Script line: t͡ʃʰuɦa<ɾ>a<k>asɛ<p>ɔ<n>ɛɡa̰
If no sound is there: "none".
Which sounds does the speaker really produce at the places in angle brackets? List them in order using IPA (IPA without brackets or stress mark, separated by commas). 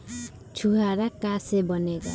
ɾ, k, b, n